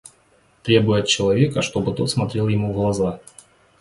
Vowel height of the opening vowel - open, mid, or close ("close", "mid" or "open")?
mid